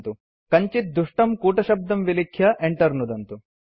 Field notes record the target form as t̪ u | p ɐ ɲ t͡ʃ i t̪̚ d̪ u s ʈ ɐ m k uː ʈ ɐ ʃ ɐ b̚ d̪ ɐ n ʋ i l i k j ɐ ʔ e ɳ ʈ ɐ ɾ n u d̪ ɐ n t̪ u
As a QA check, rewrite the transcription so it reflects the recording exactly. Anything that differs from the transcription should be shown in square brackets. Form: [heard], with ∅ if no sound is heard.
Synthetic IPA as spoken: t̪ u | [k] ɐ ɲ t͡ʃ i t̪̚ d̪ u [ʂ] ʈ ɐ m k uː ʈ ɐ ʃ ɐ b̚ d̪ ɐ [m] ʋ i l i [kʰ] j ɐ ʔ e ɳ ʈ ɐ ɾ n u d̪ ɐ n t̪ u

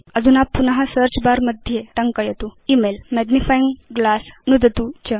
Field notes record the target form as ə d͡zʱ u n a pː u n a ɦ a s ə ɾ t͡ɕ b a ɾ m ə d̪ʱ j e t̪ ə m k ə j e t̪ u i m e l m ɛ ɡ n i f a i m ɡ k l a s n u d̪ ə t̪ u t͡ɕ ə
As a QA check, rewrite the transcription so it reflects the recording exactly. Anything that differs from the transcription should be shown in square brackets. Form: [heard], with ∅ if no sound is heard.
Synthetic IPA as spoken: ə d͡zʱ u n a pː u n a ɦ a s ə ɾ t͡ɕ b a ɾ m ə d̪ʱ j e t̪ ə [ŋ] k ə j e t̪ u i m e l m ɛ ɡ n i f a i [ŋ] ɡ [ɡ] l a s n u d̪ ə t̪ u t͡ɕ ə

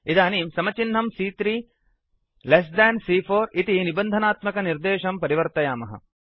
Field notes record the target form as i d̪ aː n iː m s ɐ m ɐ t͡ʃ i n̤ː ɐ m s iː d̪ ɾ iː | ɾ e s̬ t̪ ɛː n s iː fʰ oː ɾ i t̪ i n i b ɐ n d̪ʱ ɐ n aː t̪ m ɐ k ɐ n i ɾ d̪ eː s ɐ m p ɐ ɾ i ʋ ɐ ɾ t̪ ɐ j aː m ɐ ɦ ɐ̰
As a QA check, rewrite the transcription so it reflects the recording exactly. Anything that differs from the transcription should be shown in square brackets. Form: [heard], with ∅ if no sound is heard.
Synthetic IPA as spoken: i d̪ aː n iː m s ɐ m ɐ t͡ʃ i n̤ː ɐ m s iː [t̪] ɾ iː | [l] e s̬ [d̪] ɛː n s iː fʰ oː ɾ i t̪ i n i b ɐ n d̪ʱ ɐ n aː t̪ m ɐ k ɐ n i ɾ d̪ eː [ʃ] ɐ m p ɐ ɾ i ʋ ɐ ɾ t̪ ɐ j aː m ɐ ɦ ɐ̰

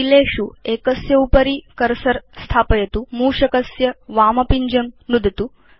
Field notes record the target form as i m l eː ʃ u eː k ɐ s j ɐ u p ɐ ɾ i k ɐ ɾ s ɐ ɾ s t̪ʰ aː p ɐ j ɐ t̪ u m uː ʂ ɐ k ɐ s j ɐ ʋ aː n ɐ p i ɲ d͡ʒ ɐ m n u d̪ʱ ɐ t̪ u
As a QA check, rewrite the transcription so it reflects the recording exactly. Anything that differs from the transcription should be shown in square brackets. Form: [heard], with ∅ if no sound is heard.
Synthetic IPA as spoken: i [∅] l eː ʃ u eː k ɐ s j ɐ u p ɐ ɾ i k ɐ ɾ s ɐ ɾ s t̪ʰ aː p ɐ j ɐ t̪ u m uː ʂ ɐ k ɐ s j ɐ ʋ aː [m] ɐ p i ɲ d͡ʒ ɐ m n u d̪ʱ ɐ t̪ u

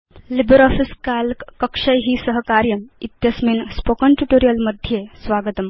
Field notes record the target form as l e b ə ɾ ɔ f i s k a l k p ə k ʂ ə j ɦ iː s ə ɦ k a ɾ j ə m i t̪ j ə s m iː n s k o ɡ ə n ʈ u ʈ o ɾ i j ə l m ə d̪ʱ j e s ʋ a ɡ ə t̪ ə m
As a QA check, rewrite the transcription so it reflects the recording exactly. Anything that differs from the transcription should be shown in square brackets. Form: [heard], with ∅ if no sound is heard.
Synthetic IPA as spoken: l [i] b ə ɾ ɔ f i s k a l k [k] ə k ʂ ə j ɦ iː s ə ɦ k a ɾ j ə m i t̪ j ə s m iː n s [p] o [k] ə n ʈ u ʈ o ɾ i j ə l m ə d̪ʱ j e s ʋ a ɡ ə t̪ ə m

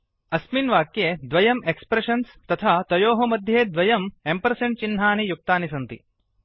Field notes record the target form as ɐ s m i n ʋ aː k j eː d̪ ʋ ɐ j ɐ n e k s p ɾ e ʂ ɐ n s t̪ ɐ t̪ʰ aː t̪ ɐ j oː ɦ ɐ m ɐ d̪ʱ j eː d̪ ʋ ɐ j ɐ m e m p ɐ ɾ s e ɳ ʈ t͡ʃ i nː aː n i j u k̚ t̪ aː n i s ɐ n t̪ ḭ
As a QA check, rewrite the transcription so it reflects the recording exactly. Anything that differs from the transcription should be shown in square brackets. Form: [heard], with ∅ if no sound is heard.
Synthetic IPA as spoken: ɐ s m i n ʋ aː k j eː d̪ ʋ ɐ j ɐ [m] e k s p ɾ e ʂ ɐ n s t̪ ɐ t̪ʰ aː t̪ ɐ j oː ɦ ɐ m ɐ d̪ʱ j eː d̪ ʋ ɐ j ɐ m e m p ɐ ɾ s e ɳ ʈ t͡ʃ i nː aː n i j u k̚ t̪ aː n i s ɐ n t̪ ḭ

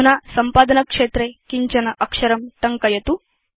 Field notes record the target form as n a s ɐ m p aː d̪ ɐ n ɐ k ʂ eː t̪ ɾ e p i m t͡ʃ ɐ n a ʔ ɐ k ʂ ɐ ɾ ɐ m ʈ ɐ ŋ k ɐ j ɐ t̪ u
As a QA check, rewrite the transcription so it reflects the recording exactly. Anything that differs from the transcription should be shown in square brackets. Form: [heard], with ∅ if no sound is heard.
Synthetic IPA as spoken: n a s ɐ m p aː d̪ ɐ n ɐ k ʂ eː t̪ ɾ e [k] i [ɲ] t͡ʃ ɐ n [ɐ] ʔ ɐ k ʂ ɐ ɾ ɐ m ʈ ɐ ŋ k ɐ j ɐ t̪ u

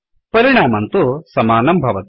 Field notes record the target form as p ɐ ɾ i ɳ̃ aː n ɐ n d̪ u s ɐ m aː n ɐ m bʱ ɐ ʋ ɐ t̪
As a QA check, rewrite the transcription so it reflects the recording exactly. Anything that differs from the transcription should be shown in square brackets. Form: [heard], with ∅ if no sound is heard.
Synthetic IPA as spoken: p ɐ ɾ i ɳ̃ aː [m] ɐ n [t̪] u s ɐ m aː n ɐ m bʱ ɐ ʋ ɐ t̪

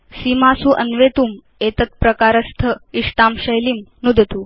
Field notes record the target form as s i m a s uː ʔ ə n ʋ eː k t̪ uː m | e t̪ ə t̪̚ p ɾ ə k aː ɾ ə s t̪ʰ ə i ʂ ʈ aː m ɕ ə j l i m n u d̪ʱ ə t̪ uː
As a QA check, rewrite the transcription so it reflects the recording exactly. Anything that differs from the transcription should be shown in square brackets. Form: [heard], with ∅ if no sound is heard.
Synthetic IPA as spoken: s i m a s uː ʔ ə n ʋ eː [∅] t̪ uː m | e t̪ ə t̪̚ p ɾ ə k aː ɾ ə s t̪ʰ ə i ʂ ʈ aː m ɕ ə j l i m n u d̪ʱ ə t̪ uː

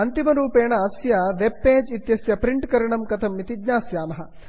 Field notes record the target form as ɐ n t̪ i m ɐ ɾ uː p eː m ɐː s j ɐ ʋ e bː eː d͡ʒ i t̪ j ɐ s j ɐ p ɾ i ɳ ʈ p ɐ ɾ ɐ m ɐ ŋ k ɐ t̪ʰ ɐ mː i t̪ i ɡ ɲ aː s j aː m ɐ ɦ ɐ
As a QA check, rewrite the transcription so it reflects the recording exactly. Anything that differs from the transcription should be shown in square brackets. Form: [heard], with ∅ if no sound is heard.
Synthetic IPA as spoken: ɐ n t̪ i m ɐ ɾ uː p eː [ɳ] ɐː s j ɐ ʋ e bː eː d͡ʒ i t̪ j ɐ s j ɐ p ɾ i ɳ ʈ [k] ɐ ɾ ɐ [ɳ] ɐ [m] k ɐ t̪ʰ ɐ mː i t̪ i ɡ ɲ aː s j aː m ɐ ɦ ɐ

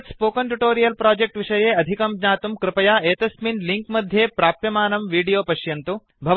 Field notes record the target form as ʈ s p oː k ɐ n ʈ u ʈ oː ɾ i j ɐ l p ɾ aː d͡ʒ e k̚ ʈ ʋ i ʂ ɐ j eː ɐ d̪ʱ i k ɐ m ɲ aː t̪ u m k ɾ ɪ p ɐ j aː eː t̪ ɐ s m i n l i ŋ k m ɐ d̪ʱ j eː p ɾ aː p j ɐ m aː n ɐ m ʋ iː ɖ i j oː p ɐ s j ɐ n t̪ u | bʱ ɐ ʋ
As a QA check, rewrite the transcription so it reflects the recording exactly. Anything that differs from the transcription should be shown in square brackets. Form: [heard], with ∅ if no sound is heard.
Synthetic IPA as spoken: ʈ s p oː k ɐ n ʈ u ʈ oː ɾ i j ɐ l p ɾ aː d͡ʒ e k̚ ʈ ʋ i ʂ ɐ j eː ɐ d̪ʱ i k ɐ m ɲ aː t̪ u m k ɾ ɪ p ɐ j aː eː t̪ ɐ s m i n l i ŋ k m ɐ d̪ʱ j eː p ɾ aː p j ɐ m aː n ɐ m ʋ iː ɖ i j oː p ɐ [ʃ] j ɐ n t̪ u | bʱ ɐ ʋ

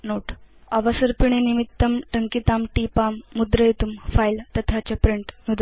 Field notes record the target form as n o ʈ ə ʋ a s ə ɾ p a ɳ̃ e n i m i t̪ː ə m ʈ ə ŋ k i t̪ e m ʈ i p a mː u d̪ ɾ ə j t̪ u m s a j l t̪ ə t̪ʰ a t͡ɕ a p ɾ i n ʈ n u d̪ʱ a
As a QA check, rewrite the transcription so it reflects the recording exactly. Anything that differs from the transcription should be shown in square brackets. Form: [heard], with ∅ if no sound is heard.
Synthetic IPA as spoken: n o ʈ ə ʋ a s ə ɾ p [i] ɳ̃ e n i m i t̪ː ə m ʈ ə ŋ k i t̪ [a] m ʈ i p a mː u d̪ ɾ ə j t̪ u m [f] a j l t̪ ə t̪ʰ a t͡ɕ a p ɾ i [ɳ] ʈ n u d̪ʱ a

